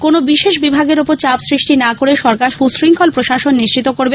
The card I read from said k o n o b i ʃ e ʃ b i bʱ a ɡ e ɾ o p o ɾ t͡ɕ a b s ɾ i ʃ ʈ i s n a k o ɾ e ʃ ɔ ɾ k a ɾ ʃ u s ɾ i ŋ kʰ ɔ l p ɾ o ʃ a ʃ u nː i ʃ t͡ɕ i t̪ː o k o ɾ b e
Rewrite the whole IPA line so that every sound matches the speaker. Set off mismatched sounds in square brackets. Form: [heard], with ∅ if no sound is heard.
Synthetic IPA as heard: k o n o b i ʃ e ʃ b i bʱ a ɡ e ɾ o p o ɾ t͡ɕ a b s ɾ i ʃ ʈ i [∅] n a k o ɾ e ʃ ɔ ɾ k a ɾ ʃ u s ɾ i ŋ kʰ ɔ l p ɾ o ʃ a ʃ [o] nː i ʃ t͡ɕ i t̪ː o k o ɾ b e